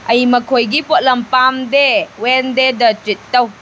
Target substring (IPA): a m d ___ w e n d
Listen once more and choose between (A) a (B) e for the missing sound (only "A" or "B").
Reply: B